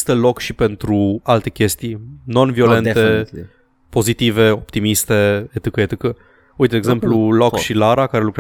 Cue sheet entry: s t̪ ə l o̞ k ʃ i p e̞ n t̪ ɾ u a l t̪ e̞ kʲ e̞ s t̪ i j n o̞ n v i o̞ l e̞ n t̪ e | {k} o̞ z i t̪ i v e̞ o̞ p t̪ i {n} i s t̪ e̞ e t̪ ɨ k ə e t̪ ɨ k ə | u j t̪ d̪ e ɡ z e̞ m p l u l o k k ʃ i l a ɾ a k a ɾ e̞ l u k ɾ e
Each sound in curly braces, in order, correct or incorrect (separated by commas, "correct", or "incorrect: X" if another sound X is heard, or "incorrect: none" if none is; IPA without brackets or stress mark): incorrect: p, incorrect: m